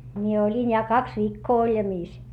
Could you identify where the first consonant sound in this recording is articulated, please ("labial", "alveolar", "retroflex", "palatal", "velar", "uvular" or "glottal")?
labial